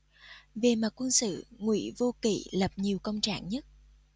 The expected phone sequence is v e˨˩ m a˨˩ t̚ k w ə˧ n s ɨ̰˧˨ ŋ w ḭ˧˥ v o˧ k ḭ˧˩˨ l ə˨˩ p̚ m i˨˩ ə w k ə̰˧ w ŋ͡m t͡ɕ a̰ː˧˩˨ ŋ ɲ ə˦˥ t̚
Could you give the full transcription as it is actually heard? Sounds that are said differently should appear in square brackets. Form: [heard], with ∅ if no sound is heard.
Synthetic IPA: v e˨˩ m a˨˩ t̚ k w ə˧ n s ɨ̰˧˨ ŋ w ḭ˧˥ v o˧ k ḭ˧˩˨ l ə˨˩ p̚ [ɲ] i˨˩ ə w k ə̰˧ w ŋ͡m t͡ɕ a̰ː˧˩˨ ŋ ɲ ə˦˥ t̚